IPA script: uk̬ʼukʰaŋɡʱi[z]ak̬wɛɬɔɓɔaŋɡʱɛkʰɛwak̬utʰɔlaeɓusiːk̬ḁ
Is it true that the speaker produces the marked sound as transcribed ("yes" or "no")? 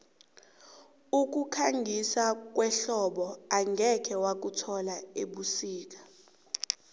no